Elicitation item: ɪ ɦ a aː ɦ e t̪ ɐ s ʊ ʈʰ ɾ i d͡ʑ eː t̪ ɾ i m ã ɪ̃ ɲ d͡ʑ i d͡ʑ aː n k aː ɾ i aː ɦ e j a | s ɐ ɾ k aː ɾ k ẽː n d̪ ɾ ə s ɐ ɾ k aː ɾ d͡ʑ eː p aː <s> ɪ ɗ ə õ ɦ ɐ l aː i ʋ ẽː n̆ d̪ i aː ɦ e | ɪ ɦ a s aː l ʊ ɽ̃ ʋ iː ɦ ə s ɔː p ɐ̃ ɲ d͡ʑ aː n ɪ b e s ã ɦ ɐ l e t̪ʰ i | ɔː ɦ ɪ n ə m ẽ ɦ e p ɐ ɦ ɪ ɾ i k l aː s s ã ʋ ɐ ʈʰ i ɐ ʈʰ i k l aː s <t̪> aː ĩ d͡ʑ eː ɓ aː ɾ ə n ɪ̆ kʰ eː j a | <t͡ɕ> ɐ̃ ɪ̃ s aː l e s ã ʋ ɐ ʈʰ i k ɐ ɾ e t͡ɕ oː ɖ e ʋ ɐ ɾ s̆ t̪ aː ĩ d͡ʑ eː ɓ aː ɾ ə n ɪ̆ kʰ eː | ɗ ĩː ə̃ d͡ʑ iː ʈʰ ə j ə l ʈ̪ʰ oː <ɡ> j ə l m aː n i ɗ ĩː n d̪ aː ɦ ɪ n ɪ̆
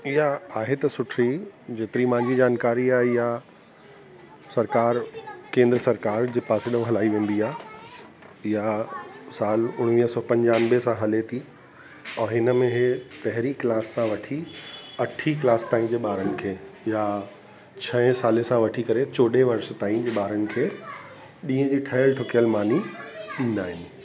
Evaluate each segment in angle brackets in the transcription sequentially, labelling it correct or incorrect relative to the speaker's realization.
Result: correct, correct, incorrect: t͡ɕʰ, incorrect: k

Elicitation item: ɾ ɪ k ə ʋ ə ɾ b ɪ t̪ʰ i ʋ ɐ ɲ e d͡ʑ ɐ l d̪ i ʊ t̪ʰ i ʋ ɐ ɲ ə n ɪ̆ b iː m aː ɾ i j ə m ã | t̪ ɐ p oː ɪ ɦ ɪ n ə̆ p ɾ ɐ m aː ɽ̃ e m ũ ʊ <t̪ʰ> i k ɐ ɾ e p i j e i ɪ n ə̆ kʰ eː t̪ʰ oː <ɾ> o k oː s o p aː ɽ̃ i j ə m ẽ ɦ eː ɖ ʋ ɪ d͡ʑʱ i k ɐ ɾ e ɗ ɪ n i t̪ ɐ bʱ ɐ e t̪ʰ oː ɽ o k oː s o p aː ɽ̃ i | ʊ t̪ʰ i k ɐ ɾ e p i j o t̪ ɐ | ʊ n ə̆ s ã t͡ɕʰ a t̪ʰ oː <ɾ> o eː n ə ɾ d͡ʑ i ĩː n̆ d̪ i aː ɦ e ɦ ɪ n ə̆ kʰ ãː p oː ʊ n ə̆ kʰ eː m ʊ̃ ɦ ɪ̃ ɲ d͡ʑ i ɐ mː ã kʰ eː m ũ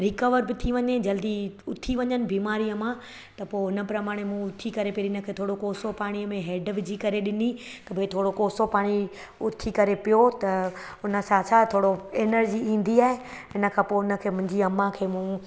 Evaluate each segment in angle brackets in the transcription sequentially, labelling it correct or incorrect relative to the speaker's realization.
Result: correct, incorrect: ɽ, incorrect: ɽ

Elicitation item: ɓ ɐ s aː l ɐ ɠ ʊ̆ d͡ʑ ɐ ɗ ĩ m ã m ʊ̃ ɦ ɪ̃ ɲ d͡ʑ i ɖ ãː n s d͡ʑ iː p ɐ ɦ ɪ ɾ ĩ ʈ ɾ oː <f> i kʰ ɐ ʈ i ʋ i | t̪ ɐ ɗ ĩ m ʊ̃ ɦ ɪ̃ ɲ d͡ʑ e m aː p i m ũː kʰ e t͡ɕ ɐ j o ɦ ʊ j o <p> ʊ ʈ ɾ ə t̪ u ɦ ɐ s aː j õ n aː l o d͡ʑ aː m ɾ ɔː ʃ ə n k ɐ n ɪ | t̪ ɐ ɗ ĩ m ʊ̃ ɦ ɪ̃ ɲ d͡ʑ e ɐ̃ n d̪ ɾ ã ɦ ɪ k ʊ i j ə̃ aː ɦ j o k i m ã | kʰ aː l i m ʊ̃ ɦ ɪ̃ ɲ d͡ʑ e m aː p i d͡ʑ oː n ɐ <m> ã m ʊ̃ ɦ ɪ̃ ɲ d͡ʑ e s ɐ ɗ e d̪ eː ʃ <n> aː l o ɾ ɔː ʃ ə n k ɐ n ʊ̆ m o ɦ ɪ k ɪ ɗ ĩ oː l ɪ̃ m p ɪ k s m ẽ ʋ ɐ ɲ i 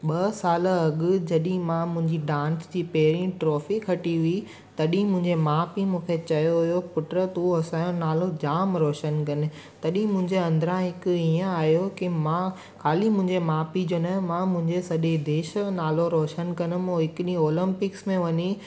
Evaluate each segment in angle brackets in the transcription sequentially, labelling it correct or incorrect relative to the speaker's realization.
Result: correct, correct, correct, correct

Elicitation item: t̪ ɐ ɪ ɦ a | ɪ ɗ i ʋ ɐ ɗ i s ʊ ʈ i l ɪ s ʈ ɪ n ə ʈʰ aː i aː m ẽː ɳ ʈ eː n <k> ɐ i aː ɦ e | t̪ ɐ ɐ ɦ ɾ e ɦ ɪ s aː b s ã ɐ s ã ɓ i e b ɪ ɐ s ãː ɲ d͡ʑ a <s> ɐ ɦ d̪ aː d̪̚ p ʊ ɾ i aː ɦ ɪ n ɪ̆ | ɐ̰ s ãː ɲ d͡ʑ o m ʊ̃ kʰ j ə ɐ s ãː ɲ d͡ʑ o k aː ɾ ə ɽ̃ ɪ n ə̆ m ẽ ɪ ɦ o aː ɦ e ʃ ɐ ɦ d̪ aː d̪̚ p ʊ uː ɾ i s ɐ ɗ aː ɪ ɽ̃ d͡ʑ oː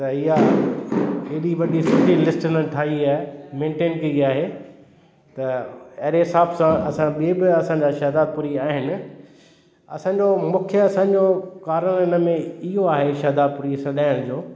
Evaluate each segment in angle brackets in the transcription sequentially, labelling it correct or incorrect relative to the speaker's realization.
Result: correct, incorrect: ʃ

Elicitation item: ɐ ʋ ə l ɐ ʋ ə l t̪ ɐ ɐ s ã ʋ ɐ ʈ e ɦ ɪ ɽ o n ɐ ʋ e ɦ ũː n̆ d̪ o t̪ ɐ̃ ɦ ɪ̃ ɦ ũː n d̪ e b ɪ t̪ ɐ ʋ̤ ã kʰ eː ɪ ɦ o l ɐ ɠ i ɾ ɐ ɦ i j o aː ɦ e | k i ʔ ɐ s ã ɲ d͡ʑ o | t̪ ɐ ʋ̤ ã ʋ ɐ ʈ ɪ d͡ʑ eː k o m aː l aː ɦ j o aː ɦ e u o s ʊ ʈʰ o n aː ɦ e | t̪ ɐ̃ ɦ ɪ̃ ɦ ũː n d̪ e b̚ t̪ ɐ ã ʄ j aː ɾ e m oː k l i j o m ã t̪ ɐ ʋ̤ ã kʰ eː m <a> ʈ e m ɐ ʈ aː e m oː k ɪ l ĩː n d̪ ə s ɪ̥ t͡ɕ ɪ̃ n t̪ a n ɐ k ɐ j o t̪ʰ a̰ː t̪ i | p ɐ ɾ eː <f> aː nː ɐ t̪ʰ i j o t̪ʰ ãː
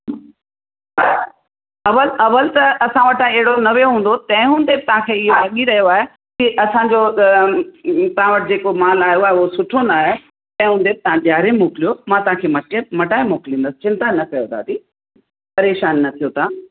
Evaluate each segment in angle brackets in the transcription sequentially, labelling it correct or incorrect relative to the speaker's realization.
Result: incorrect: ɐ, incorrect: ʃ

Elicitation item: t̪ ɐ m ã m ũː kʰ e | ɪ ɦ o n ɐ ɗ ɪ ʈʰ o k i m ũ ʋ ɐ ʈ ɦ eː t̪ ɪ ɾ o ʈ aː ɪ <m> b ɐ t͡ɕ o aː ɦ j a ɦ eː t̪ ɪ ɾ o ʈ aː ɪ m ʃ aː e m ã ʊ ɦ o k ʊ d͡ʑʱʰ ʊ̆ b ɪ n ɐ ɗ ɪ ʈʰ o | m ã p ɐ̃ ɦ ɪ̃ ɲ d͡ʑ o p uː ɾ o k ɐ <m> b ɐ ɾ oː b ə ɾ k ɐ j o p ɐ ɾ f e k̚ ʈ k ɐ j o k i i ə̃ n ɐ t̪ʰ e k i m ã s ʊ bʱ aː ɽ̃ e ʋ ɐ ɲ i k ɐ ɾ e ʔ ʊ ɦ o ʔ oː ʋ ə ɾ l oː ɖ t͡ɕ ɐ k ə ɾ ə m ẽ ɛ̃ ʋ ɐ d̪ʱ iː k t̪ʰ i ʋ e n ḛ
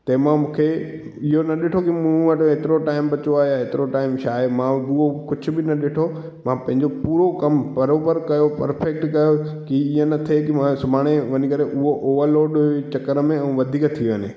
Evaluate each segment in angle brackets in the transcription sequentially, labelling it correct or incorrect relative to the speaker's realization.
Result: correct, correct

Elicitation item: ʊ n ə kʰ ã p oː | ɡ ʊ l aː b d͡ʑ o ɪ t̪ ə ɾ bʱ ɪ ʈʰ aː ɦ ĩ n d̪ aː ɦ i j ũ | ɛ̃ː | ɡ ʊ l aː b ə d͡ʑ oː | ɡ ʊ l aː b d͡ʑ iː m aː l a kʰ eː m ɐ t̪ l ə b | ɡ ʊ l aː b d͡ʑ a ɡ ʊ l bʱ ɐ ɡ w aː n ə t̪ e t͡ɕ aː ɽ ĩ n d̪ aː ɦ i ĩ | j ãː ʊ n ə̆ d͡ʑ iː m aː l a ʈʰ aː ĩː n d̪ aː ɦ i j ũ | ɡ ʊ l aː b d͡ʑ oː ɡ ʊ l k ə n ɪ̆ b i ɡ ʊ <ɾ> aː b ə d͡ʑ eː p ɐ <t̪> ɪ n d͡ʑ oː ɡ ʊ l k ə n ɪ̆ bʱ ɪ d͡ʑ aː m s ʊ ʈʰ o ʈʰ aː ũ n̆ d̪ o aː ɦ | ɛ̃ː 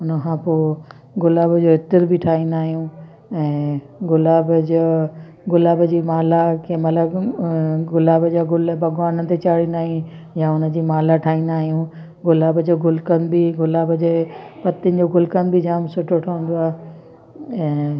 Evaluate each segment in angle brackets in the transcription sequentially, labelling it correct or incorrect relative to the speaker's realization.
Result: incorrect: l, correct

